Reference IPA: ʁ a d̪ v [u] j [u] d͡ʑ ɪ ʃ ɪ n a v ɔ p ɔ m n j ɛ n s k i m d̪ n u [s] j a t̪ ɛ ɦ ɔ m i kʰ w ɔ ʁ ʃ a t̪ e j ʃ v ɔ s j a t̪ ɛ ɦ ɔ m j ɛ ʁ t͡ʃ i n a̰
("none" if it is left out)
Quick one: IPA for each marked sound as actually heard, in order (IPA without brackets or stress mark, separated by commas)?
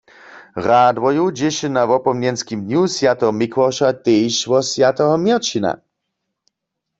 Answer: ɔ, u, s